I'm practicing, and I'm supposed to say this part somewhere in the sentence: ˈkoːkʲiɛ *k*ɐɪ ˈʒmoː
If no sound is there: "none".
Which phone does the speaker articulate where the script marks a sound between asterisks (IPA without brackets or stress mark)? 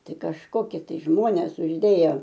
t